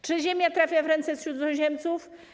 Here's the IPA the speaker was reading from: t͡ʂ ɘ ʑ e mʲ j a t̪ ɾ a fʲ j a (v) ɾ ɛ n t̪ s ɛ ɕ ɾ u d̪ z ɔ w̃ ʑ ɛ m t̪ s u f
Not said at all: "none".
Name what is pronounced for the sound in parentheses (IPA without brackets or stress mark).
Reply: v